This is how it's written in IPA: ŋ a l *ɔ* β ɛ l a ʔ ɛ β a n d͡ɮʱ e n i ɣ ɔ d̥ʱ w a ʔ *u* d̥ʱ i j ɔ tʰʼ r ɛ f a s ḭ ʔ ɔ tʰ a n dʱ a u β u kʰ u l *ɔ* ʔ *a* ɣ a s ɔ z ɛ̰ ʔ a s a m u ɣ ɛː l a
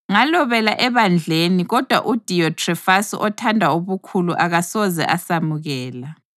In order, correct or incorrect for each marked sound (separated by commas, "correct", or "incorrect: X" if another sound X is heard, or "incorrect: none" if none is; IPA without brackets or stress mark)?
correct, correct, incorrect: u, correct